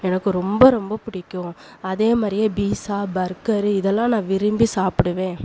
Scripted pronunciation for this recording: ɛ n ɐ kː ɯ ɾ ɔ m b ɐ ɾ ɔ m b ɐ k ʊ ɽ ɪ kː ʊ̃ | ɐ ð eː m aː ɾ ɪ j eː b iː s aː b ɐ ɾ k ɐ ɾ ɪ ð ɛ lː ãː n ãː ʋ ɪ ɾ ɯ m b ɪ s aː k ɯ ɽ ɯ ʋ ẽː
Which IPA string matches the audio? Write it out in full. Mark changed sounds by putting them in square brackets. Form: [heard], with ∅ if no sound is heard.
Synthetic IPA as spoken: ɛ n ɐ kː ɯ ɾ ɔ m b ɐ ɾ ɔ m b ɐ [p] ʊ ɽ ɪ kː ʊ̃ | ɐ ð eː m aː ɾ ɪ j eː b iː s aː b ɐ ɾ k ɐ ɾ ɪ ð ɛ lː ãː n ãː ʋ ɪ ɾ ɯ m b [i] s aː [p] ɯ ɽ ɯ ʋ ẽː